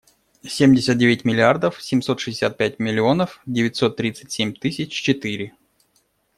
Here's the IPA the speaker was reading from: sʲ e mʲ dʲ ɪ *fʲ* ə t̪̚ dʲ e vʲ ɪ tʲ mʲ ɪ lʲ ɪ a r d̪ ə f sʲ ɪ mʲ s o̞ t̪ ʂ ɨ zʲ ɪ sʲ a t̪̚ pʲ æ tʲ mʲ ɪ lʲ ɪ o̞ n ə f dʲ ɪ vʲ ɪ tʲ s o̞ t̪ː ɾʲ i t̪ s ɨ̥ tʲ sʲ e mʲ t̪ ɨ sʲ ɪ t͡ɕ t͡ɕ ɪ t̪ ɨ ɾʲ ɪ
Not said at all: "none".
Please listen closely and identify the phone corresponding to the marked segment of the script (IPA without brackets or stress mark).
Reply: sʲ